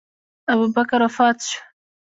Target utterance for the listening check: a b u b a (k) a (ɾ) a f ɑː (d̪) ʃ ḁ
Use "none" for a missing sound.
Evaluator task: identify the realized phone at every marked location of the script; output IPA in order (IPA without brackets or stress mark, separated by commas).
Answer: k, ɾ, t̪